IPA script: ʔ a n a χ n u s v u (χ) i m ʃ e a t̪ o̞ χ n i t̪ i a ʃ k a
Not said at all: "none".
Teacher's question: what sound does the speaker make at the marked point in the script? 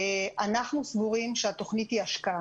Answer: ʁ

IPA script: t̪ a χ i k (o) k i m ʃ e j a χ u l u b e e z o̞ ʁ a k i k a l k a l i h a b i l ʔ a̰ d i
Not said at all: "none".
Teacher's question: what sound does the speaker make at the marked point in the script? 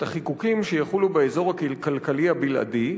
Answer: u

